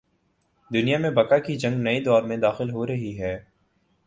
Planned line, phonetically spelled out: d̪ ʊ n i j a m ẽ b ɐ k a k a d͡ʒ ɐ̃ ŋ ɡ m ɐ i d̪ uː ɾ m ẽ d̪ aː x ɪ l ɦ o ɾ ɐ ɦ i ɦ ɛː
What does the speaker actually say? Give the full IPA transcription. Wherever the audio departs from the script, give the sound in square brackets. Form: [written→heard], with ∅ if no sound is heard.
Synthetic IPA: d̪ ʊ n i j a m ẽ b ɐ k a k [a→i] d͡ʒ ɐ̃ ŋ ɡ [m→n] ɐ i d̪ [uː→ɔː] ɾ m ẽ d̪ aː x ɪ l ɦ o ɾ ɐ ɦ i ɦ ɛː